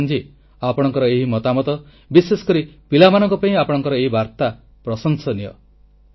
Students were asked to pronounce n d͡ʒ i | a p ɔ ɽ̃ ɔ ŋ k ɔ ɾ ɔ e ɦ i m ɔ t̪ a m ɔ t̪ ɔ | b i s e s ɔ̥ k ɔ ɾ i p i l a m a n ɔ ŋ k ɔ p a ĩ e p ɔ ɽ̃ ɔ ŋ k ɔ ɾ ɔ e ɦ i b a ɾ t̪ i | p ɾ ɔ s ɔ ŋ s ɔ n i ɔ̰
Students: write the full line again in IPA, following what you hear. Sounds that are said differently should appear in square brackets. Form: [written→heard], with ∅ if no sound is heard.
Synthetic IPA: n d͡ʒ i | a p ɔ ɽ̃ ɔ ŋ k ɔ ɾ ɔ e ɦ i m ɔ t̪ a m ɔ t̪ ɔ | b i s e s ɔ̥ k ɔ ɾ i p i l a m a n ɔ ŋ k ɔ p a ĩ [e→a] p ɔ ɽ̃ ɔ ŋ k ɔ ɾ ɔ e ɦ i b a ɾ t̪ [i→a] | p ɾ ɔ s ɔ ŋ s ɔ n i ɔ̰